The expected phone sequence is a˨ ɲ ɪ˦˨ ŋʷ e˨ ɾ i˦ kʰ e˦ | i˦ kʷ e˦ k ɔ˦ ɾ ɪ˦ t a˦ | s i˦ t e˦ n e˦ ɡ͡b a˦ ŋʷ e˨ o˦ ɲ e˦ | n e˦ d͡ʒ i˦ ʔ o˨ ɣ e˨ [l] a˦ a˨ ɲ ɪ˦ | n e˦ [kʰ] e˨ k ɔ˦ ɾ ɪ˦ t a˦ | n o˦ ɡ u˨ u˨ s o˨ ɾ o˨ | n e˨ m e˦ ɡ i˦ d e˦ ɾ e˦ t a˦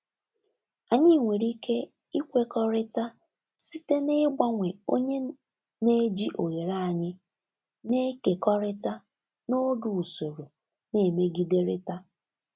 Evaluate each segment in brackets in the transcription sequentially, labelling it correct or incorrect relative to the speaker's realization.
incorrect: ɾ, incorrect: k

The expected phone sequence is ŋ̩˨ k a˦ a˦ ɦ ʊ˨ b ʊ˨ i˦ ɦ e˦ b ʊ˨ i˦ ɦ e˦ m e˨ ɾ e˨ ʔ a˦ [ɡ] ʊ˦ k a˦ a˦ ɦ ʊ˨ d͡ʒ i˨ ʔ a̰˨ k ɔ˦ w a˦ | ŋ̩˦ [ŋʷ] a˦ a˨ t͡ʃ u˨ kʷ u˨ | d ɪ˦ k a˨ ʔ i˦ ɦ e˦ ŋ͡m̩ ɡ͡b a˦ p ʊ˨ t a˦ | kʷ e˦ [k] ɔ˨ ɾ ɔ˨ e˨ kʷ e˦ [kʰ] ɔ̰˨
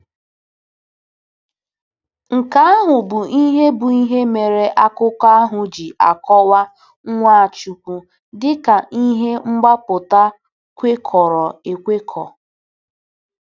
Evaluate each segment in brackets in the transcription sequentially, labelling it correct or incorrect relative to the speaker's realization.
incorrect: k, correct, incorrect: kʰ, correct

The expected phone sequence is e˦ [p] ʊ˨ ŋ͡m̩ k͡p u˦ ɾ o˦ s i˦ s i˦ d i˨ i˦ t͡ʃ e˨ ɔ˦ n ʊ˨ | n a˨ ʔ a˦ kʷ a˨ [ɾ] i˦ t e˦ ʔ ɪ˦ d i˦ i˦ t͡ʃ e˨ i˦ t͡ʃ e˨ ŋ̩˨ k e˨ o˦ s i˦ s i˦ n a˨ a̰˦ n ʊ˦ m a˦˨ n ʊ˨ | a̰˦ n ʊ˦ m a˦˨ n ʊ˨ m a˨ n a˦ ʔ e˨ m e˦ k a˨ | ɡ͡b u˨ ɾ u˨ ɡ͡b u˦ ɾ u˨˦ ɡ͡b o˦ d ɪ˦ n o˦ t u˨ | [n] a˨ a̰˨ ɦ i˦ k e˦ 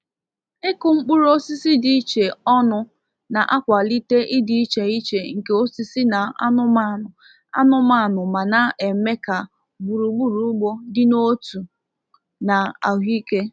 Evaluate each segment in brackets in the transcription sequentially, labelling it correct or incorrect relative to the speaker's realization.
incorrect: k, incorrect: l, correct

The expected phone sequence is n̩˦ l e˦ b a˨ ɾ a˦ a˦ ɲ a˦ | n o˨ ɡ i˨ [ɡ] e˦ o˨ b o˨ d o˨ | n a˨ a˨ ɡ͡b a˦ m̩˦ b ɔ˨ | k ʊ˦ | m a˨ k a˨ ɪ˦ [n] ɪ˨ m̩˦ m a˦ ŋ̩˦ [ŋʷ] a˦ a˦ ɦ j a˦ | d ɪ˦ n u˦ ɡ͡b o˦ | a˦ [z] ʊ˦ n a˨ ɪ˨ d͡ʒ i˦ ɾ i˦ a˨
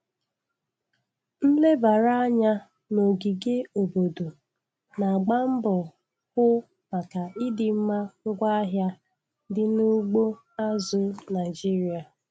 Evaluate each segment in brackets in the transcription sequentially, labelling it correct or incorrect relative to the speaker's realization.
correct, incorrect: d, incorrect: ɡʷ, correct

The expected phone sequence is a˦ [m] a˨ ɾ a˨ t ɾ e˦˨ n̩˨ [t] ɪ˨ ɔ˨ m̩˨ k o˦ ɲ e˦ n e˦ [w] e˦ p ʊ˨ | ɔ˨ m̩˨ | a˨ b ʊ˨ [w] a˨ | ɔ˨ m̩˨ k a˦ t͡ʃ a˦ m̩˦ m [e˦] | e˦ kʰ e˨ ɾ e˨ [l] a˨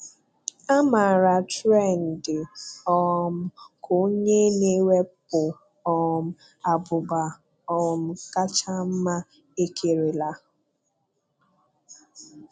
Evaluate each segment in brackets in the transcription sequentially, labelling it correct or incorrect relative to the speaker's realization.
correct, incorrect: d, correct, incorrect: b, incorrect: a˦, correct

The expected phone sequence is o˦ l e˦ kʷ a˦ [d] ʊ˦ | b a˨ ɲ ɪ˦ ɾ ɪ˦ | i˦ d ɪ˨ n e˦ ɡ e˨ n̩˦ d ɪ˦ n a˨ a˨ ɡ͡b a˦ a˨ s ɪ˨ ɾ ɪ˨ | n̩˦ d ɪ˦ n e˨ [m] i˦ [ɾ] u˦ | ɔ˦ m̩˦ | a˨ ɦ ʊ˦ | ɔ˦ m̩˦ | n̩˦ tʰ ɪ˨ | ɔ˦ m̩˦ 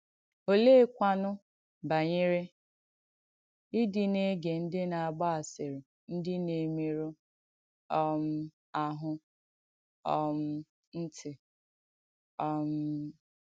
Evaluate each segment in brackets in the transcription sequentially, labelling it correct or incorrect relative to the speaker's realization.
incorrect: n, correct, correct

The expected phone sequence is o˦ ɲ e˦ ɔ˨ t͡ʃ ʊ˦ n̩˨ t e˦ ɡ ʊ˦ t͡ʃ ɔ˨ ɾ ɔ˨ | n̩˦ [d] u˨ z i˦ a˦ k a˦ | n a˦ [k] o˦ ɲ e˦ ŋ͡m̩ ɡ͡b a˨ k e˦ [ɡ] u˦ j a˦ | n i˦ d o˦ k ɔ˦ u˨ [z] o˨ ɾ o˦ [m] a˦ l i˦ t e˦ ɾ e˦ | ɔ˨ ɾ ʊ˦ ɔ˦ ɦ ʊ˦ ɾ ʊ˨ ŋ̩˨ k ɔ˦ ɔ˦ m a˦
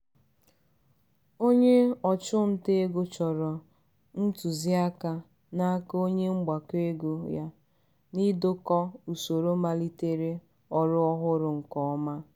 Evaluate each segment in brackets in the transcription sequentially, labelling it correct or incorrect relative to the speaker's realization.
incorrect: t, correct, correct, incorrect: s, correct

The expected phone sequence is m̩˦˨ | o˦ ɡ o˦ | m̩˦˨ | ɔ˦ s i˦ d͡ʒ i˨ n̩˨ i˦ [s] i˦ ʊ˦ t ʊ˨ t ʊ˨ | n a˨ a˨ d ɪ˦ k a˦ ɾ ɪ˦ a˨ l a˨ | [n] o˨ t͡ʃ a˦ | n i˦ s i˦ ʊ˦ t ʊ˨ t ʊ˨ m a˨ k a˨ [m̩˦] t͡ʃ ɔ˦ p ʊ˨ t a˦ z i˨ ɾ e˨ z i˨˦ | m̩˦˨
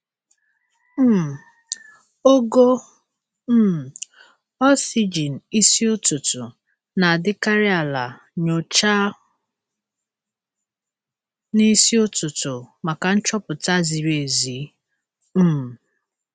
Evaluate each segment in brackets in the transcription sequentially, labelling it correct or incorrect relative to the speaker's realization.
correct, incorrect: ɲ, incorrect: n̩˦

